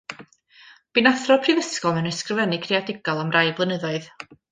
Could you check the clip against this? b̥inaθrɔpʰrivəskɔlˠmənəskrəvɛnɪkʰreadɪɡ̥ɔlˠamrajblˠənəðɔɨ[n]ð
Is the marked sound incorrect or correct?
incorrect